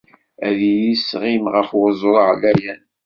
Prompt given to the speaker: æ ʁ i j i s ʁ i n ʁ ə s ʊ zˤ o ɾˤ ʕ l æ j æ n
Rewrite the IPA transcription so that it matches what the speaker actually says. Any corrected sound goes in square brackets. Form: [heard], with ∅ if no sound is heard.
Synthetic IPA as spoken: æ [ð] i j i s ʁ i [m] ʁ ə [f] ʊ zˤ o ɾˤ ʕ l æ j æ n